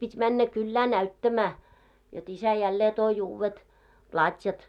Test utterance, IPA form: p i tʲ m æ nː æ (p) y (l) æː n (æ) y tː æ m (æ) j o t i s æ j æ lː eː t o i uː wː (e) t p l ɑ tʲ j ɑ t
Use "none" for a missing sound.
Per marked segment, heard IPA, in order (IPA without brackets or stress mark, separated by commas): k, lː, æ, æː, e